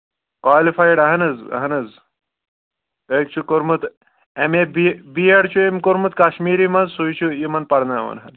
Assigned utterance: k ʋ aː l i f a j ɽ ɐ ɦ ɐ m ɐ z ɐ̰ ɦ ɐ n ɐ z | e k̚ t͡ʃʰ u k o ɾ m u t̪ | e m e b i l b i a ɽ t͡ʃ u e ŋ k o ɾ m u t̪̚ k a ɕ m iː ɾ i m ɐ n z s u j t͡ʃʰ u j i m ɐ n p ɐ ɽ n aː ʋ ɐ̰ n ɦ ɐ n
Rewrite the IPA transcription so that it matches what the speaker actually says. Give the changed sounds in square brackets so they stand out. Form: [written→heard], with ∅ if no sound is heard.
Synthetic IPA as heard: k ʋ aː l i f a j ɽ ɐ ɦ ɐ [m→n] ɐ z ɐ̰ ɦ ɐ n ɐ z | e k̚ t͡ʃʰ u k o ɾ m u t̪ | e m e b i [l→∅] b i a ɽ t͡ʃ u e [ŋ→m] k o ɾ m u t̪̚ k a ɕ m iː ɾ i m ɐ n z s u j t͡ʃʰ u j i m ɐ n p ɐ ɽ n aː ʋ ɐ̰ n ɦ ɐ n